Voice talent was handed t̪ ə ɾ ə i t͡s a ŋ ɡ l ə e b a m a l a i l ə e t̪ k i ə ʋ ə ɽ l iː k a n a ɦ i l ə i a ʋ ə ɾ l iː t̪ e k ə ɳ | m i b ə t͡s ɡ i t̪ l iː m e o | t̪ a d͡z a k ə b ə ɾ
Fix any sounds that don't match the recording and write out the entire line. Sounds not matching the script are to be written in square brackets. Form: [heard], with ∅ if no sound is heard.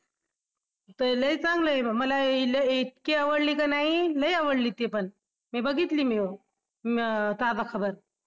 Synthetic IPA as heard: t̪ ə [l] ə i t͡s a ŋ ɡ l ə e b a m [ə] l a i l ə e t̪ k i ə ʋ ə ɽ l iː k a n a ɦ i l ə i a ʋ ə [ɽ] l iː t̪ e [p] ə ɳ | m i b ə [∅] ɡ i t̪ l iː m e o | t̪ a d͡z a [kʰ] ə b ə ɾ

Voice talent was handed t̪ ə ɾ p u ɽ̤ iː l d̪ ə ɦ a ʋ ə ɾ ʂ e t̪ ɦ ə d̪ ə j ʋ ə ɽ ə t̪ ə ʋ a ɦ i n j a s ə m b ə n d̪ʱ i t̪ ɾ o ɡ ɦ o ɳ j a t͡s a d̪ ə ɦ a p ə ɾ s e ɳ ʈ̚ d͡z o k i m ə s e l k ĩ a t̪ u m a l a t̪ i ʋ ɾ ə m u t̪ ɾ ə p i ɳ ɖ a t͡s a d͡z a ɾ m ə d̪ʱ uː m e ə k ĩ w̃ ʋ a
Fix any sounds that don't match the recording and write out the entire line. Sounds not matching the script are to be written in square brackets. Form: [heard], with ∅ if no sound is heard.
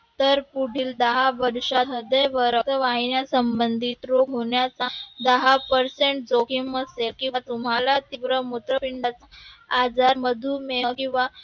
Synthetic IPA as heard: t̪ ə ɾ p u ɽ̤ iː l d̪ ə ɦ a ʋ ə ɾ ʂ [a] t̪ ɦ ə d̪ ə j ʋ ə [ɾ] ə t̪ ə ʋ a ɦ i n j a s ə m b ə n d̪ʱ i t̪ ɾ o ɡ ɦ o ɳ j a t͡s a d̪ ə ɦ a p ə ɾ s e ɳ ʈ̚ d͡z o k i m ə s e l k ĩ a t̪ u m a l a t̪ i ʋ ɾ ə m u t̪ ɾ ə p i ɳ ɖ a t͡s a d͡z a ɾ m ə d̪ʱ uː m e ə k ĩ w̃ ʋ a

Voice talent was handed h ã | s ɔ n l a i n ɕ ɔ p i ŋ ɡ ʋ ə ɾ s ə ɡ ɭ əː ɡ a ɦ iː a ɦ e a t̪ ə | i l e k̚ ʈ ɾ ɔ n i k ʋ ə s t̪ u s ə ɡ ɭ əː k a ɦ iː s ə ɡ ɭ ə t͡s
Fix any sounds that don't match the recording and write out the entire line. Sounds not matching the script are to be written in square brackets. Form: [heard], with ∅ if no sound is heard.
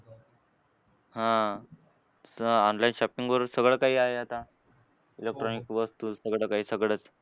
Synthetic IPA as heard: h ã | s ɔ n l a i n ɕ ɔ p i ŋ ɡ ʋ ə ɾ s ə ɡ ɭ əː [k] a ɦ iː a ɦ e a t̪ [a] | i l e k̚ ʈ ɾ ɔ n i k ʋ ə s t̪ u s ə ɡ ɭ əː k a ɦ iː s ə ɡ ɭ ə t͡s

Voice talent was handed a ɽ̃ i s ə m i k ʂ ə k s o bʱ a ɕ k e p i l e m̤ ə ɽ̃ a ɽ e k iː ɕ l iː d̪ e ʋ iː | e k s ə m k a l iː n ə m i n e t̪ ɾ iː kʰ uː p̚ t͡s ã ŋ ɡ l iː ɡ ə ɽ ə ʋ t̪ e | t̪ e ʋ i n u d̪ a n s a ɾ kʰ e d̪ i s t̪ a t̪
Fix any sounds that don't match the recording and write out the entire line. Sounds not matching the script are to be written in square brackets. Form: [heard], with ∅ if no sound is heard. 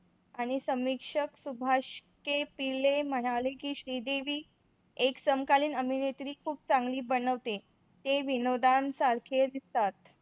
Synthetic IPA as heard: a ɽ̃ i s ə m i k ʂ ə k s [u] bʱ a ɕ k e p i l e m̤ ə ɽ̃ a [l] e k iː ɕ [ɾ] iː d̪ e ʋ iː | e k s ə m k a l iː n ə m i n e t̪ ɾ iː kʰ uː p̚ t͡s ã ŋ ɡ l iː [b] ə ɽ ə ʋ t̪ e | t̪ e ʋ i n [o] d̪ a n s a ɾ kʰ e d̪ i s t̪ a t̪

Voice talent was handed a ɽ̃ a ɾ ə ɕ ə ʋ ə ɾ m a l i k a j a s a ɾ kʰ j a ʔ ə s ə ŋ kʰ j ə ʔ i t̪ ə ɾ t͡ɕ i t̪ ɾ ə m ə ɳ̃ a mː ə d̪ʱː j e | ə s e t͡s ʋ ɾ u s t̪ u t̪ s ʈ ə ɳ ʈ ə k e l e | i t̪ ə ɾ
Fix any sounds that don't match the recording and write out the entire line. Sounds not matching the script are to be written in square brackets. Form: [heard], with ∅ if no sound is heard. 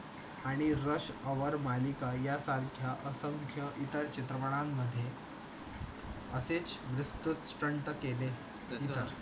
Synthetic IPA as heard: a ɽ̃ [i] ɾ ə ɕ ə ʋ ə ɾ m a l i k a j a s a ɾ kʰ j a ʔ ə s ə ŋ kʰ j ə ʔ i t̪ ə ɾ t͡ɕ i t̪ ɾ ə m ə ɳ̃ a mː ə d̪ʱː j e | ə s e t͡s ʋ ɾ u s t̪ u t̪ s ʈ ə ɳ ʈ ə k e l e | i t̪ ə ɾ

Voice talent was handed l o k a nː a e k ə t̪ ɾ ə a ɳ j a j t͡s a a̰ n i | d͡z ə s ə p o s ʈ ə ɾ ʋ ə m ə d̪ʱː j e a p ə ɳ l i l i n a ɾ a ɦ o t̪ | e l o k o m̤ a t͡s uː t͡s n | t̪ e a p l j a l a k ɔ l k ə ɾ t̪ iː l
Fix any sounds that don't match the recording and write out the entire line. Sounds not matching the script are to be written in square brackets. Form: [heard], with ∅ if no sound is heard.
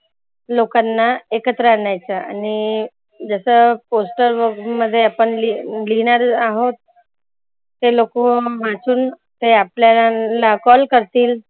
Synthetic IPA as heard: l o k a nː a e k ə t̪ ɾ ə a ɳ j a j t͡s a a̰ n i | d͡z ə s ə p o s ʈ ə ɾ ʋ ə m ə d̪ʱː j e a p ə ɳ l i l i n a ɾ a ɦ o t̪ | e l o k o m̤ a t͡s uː [∅] n | t̪ e a p l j a l a k ɔ l k ə ɾ t̪ iː l

